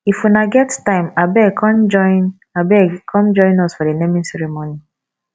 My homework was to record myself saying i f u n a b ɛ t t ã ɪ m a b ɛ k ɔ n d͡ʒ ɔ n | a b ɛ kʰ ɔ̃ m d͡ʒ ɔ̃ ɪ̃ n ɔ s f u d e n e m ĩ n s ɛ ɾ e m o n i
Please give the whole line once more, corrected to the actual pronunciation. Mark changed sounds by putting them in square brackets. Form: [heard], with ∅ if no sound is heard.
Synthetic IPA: i f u n a [ɡ] ɛ t t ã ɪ m a b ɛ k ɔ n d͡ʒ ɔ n | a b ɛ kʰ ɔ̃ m d͡ʒ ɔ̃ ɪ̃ n ɔ s f [ɔ] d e n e m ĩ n s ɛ ɾ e m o n i

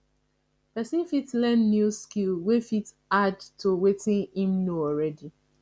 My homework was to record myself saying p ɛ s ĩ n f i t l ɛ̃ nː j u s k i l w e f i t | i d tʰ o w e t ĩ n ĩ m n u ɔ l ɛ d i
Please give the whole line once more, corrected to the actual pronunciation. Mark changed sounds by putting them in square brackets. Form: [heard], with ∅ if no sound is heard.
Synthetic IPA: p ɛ s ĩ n f i t l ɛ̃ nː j u s k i l w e f i t | [a] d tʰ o w e t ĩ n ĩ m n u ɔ [ɹ] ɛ d i

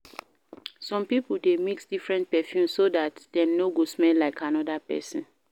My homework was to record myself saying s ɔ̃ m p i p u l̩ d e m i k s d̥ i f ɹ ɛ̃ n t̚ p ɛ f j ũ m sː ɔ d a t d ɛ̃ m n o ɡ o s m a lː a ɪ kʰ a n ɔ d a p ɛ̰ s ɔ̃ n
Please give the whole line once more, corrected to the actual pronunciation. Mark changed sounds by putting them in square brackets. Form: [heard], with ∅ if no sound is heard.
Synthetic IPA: s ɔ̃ m p i p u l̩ d e m i k s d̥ i f ɹ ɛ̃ n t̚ p ɛ f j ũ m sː [o] d a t d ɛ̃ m n o ɡ o s m [ɛ] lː a ɪ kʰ a n ɔ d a p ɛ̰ s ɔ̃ n

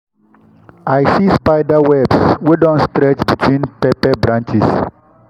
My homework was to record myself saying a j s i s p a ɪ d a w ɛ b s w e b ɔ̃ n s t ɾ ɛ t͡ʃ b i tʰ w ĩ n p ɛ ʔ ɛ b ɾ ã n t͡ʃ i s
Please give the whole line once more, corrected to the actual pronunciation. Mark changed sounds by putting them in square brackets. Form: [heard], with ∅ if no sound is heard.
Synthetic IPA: a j s i s p a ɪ d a w ɛ b s w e [d] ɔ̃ n s t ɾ ɛ t͡ʃ b i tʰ w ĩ n p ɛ [p] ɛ b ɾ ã n t͡ʃ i s

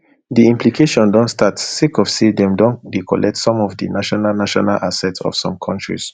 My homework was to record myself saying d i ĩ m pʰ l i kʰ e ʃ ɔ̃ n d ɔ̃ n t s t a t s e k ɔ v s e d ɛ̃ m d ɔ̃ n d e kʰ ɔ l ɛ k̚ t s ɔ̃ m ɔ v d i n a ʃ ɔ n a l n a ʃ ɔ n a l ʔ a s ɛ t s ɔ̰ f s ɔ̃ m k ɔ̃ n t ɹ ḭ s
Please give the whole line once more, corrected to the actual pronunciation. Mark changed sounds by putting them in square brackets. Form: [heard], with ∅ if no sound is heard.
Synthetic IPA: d i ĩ m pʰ l i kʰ e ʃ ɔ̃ n d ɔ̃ n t s t a t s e k ɔ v s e d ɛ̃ m d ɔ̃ n d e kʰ ɔ l ɛ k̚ t s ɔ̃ m ɔ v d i n a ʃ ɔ n a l n a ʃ ɔ n a l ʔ a s ɛ t s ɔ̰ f s ɔ̃ m [kʰ] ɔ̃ n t ɹ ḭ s

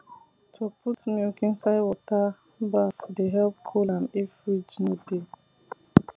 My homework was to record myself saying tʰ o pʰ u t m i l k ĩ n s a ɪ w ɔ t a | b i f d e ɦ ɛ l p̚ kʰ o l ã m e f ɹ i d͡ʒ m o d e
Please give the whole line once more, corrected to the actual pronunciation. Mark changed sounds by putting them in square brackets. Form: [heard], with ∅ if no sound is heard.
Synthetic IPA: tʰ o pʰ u t m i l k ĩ n s a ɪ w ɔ t a | b [a] f d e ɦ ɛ l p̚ kʰ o l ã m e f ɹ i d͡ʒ [n] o d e

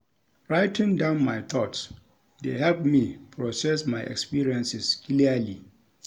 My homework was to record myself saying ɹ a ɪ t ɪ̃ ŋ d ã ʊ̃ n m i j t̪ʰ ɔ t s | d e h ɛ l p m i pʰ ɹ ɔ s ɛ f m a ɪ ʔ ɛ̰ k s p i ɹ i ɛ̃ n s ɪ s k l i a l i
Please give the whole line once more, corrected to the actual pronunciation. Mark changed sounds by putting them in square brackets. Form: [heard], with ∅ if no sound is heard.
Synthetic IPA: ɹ a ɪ t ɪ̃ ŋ d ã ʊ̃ n m [a] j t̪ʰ ɔ t s | d e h ɛ l p m i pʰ ɹ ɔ s ɛ [s] m a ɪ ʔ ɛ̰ k s p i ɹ i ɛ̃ n s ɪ s k l i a l i

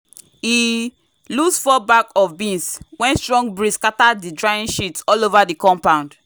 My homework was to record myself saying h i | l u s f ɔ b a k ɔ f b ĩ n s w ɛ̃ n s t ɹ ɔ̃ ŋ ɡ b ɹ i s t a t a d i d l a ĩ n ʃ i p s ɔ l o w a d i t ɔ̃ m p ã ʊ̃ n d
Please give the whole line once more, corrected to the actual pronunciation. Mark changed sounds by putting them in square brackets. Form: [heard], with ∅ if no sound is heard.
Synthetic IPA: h i | l u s f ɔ b a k ɔ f b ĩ n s w ɛ̃ n s t ɹ ɔ̃ ŋ ɡ b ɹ i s [k] a t a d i d [ɹ] a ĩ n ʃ i [t] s ɔ l o [v] a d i [k] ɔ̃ m p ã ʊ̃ n d

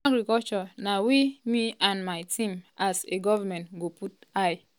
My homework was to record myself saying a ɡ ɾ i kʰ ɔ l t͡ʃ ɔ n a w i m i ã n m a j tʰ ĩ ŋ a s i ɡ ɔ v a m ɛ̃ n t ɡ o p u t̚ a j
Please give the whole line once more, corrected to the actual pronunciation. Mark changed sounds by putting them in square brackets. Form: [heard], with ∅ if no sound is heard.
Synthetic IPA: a ɡ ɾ i [k] ɔ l t͡ʃ ɔ n a w i m i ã n m a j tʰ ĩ [m] a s [e] ɡ ɔ v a m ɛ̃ n t ɡ o p u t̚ a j

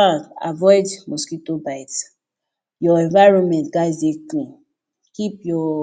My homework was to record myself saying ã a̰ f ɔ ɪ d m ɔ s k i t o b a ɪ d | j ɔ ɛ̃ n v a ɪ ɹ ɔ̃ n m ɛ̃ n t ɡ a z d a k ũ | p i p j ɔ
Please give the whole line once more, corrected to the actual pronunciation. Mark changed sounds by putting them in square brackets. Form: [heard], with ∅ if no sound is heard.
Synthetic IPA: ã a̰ [v] ɔ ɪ d m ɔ s k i t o b a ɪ [t] | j ɔ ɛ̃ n v a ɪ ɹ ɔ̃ n m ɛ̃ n t ɡ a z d [e] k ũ | [k] i p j ɔ

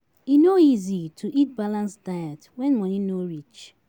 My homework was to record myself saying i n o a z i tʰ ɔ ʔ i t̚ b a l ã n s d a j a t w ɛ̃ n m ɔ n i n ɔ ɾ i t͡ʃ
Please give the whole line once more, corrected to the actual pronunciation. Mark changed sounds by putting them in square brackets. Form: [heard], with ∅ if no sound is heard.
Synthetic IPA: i n o [i] z i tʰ [u] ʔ i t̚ b a l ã n s d a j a t w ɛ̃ n m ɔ n i n [o] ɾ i t͡ʃ

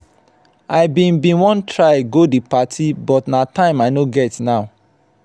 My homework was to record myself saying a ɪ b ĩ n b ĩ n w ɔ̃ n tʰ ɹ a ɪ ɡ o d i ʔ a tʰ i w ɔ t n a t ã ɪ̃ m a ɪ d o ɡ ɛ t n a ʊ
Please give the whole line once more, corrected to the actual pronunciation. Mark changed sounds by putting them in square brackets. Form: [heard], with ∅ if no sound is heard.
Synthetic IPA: a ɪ b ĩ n b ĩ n w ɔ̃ n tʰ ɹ a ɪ ɡ o d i [p] a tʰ i [b] ɔ t n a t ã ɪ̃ m a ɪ [n] o ɡ ɛ t n a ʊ

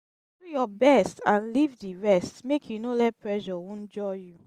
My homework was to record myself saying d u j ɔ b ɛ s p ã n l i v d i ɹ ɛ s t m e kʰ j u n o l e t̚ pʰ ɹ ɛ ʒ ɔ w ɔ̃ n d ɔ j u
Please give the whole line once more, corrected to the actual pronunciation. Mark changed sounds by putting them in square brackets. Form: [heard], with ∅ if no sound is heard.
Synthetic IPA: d u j ɔ b ɛ s [t] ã n l i v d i ɹ ɛ s t m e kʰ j u n o l [ɛ] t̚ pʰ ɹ ɛ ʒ ɔ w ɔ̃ n [d͡ʒ] ɔ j u

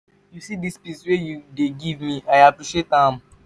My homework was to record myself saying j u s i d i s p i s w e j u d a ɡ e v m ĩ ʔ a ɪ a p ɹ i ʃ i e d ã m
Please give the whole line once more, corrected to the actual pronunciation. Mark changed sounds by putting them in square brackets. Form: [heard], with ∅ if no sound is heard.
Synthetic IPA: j u s i d i s p i s w e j u d [e] ɡ [i] v m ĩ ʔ a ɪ a p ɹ i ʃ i e [t] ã m

